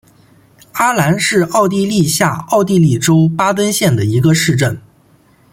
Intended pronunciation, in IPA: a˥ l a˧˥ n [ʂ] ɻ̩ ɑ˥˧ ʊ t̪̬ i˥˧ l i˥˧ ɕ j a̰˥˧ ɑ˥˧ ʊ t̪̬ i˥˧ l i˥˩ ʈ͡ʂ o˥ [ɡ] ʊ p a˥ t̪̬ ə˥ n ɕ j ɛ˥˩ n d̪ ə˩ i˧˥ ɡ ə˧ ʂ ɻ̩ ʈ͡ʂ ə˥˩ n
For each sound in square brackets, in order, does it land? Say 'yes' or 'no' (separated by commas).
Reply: yes, no